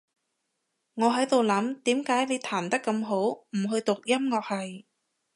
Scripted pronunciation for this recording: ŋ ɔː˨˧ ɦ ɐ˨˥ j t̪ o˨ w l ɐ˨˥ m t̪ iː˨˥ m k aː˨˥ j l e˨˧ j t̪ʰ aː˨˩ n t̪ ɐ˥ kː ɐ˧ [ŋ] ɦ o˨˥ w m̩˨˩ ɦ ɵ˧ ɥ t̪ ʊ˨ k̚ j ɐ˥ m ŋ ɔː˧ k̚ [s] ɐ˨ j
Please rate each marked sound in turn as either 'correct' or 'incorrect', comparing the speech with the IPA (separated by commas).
incorrect, incorrect